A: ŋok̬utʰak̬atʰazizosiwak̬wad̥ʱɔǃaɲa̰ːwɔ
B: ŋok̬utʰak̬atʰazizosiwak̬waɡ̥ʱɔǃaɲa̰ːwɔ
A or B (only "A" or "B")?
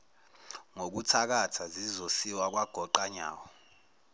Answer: B